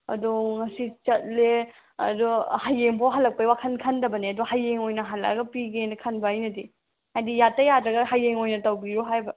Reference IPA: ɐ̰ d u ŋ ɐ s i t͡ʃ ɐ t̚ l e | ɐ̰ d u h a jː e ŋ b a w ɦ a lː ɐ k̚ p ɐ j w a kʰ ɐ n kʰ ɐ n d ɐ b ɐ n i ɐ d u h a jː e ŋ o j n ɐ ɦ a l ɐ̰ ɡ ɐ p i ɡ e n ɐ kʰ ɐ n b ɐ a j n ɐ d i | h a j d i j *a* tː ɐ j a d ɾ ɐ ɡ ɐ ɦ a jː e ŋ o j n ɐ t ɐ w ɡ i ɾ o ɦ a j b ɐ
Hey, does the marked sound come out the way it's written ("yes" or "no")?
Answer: yes